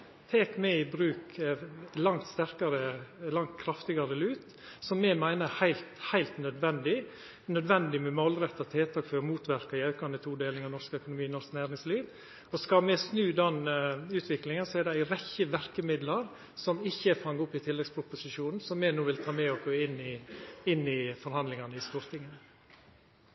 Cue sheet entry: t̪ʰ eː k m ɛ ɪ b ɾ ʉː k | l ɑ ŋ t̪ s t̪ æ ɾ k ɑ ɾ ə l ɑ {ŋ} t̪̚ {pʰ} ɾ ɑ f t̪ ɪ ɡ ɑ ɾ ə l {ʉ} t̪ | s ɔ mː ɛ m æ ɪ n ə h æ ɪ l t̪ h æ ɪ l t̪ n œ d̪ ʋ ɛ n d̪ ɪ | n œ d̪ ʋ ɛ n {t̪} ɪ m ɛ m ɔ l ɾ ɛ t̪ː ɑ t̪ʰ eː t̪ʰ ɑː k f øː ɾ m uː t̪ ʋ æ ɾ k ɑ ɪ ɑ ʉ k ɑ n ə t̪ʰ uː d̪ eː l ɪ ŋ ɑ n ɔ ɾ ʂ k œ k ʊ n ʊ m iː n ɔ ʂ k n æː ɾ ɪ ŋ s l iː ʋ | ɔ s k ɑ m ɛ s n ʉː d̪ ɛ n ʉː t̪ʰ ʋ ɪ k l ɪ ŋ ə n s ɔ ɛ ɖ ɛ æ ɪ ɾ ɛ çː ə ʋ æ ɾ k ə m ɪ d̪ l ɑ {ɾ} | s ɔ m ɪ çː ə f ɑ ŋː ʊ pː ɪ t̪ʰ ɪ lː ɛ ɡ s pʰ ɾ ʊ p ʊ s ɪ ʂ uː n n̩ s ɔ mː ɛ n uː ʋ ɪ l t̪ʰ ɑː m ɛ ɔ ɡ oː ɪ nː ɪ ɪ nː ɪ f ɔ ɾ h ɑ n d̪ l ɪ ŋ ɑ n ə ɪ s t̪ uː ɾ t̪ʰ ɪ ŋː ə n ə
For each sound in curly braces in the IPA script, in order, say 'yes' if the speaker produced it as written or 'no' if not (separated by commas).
yes, no, no, no, yes